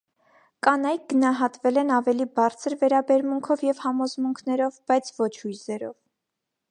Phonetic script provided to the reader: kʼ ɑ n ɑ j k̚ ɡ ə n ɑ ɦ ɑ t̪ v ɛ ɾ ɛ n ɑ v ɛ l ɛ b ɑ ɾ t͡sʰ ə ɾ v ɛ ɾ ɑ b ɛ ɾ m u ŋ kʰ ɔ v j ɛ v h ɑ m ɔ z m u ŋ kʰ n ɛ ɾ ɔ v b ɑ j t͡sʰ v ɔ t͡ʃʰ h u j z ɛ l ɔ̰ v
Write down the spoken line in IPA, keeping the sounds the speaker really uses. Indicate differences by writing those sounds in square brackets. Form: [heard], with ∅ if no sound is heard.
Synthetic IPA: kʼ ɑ n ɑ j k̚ ɡ ə n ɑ ɦ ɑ t̪ v ɛ [l] ɛ n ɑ v ɛ l [i] b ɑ ɾ t͡sʰ ə ɾ v ɛ ɾ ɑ b ɛ ɾ m u ŋ kʰ ɔ v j ɛ v h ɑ m ɔ z m u ŋ kʰ n ɛ ɾ ɔ v b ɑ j t͡sʰ v ɔ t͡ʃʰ h u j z ɛ [ɾ] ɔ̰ v

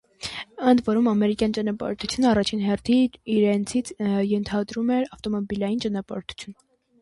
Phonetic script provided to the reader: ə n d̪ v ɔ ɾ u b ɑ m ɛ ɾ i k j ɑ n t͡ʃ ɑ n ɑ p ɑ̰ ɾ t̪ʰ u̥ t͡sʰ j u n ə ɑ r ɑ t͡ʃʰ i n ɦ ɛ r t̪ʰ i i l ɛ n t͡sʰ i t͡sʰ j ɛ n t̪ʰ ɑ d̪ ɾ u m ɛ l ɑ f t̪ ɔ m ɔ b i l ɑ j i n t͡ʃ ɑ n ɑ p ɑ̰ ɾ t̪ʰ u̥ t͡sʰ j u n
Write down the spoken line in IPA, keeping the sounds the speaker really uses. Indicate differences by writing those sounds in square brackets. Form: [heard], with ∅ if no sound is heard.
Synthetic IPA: ə n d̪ v ɔ ɾ u [m] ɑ m ɛ ɾ i k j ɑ n t͡ʃ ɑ n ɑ p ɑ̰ ɾ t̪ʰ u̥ t͡sʰ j u n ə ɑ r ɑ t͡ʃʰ i n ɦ ɛ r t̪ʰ i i [ɾ] ɛ n t͡sʰ i t͡sʰ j ɛ n t̪ʰ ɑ d̪ ɾ u m ɛ [ɾ] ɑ f t̪ ɔ m ɔ b i l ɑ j i n t͡ʃ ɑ n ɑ p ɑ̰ ɾ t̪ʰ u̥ t͡sʰ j u n

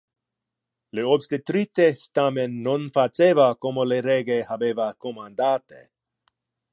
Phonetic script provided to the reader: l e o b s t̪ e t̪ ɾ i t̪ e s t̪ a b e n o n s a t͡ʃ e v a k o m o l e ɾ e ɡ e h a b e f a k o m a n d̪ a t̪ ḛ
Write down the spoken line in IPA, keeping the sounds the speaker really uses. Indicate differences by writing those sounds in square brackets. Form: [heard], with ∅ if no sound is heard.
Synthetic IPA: l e o b s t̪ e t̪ ɾ i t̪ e s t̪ a [m] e [nː] o n [f] a t͡ʃ e v a k o m o l e ɾ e ɡ e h a b e [v] a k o m a n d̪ a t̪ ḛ

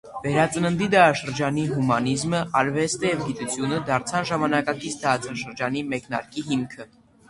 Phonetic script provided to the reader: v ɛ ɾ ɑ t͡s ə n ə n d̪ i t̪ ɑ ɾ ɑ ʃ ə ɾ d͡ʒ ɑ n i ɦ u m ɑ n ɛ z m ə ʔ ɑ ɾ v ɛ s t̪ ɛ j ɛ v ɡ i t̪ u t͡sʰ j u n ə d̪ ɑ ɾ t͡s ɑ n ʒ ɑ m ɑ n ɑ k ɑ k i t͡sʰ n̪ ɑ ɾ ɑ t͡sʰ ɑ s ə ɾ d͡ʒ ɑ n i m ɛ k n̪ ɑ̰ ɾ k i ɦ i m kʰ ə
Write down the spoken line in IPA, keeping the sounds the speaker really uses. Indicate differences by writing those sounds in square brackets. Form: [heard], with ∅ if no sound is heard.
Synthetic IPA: v ɛ ɾ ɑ t͡s ə n ə n d̪ i [d̪] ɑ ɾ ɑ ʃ ə ɾ d͡ʒ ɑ n i ɦ u m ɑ n [i] z m ə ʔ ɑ ɾ v ɛ s t̪ ɛ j ɛ v ɡ i t̪ u t͡sʰ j u n ə d̪ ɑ ɾ [t͡sʰ] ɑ n ʒ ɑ m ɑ n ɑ k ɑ k i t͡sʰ [d̪] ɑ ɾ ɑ t͡sʰ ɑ [ʃ] ə ɾ d͡ʒ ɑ n i m ɛ k n̪ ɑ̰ ɾ k i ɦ i m kʰ ə

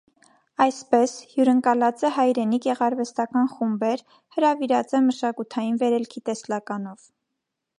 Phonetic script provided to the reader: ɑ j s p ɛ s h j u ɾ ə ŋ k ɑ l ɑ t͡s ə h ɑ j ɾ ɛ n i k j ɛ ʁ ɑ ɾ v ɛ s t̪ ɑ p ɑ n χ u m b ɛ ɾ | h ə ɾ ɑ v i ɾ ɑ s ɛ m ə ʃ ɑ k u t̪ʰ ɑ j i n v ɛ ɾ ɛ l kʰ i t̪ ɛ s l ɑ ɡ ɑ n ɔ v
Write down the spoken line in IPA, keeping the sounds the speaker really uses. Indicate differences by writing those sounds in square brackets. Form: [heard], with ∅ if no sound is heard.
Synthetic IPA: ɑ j s p ɛ s h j u ɾ ə ŋ k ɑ l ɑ t͡s ə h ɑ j ɾ ɛ n i k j ɛ ʁ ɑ ɾ v ɛ s t̪ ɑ [k] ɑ n χ u m b ɛ ɾ | h ə ɾ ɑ v i ɾ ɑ [t͡s] ɛ m ə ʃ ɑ k u t̪ʰ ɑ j i n v ɛ ɾ ɛ l kʰ i t̪ ɛ s l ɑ [k] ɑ n ɔ v

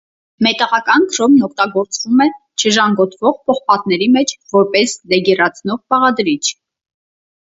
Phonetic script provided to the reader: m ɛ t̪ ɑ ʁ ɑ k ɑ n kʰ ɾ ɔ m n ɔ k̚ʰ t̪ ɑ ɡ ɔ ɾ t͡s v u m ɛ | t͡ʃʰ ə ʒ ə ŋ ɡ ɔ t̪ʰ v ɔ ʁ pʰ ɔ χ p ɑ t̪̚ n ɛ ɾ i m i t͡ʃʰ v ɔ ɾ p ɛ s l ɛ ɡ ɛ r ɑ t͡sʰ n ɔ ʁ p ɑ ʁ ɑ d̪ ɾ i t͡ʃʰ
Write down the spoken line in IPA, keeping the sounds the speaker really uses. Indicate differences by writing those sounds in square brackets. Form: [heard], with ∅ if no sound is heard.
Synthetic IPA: m ɛ t̪ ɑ ʁ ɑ k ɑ n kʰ ɾ ɔ m n ɔ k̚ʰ t̪ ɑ ɡ ɔ ɾ t͡s v u m ɛ | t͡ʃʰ ə ʒ [ɑ] ŋ ɡ ɔ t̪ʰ v ɔ ʁ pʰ ɔ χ p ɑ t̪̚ n ɛ ɾ i m [ɛ] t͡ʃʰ v ɔ ɾ p ɛ s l ɛ ɡ ɛ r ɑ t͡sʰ n ɔ ʁ p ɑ ʁ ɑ d̪ ɾ i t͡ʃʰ

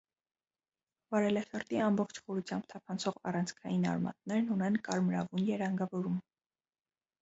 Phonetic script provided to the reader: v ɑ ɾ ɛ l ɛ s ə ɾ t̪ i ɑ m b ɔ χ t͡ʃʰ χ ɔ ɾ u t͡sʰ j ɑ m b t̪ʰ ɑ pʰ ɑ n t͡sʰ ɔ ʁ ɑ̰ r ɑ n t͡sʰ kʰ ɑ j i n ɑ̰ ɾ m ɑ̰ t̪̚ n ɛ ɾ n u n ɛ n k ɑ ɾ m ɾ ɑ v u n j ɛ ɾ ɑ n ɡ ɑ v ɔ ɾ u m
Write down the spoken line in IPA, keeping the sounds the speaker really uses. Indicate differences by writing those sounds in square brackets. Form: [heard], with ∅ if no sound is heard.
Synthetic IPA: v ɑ ɾ ɛ l ɛ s ə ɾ t̪ i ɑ m b ɔ χ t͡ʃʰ χ ɔ ɾ u t͡sʰ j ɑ m b t̪ʰ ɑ pʰ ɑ n t͡sʰ ɔ ʁ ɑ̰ r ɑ n t͡sʰ kʰ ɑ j i n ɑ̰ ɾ m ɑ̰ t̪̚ n ɛ ɾ n u n ɛ n k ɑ ɾ m ɾ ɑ v u n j ɛ ɾ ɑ [ŋ] ɡ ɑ v ɔ ɾ u m

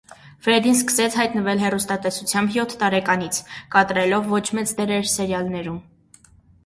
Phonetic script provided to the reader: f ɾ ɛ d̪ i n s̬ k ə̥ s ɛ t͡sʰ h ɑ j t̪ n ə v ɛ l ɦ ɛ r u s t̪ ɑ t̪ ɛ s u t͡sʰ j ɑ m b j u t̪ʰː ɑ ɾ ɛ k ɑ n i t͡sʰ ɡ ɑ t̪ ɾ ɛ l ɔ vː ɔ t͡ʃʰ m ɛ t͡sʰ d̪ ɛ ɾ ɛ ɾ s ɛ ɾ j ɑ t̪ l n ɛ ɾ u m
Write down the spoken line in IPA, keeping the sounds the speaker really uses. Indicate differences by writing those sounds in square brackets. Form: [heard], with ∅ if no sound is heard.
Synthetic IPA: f ɾ ɛ d̪ i n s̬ k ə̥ s ɛ t͡sʰ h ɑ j t̪ n ə v ɛ l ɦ ɛ r u s t̪ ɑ t̪ ɛ s u t͡sʰ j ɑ m b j [ɔ] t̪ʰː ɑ ɾ ɛ k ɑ n i t͡sʰ [k] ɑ t̪ ɾ ɛ l ɔ vː ɔ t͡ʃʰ m ɛ [t͡s] d̪ ɛ ɾ ɛ ɾ s ɛ ɾ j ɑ [∅] l n ɛ ɾ u m

